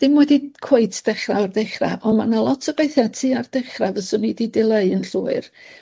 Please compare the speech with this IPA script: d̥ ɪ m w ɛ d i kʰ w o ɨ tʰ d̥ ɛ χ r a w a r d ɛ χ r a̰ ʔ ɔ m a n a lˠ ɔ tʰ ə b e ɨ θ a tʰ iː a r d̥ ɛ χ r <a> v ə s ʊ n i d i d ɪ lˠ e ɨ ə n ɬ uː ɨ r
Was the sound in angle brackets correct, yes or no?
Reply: yes